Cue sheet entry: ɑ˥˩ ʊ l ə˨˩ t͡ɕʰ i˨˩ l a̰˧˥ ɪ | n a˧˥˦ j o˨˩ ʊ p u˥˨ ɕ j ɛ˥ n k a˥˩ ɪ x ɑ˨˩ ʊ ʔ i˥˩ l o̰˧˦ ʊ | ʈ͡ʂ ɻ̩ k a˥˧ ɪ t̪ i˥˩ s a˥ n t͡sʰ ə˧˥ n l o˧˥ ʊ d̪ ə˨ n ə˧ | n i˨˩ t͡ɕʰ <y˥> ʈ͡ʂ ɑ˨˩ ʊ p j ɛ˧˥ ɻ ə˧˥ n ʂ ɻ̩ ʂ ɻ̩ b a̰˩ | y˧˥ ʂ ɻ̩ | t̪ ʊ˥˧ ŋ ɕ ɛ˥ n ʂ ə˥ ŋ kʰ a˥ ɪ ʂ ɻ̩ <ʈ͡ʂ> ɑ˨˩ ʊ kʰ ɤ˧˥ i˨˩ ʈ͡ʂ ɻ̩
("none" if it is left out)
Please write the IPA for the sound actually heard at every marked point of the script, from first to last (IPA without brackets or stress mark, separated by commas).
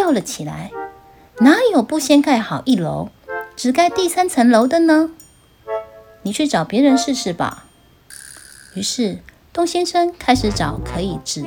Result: y˥˩, ʈ͡ʂ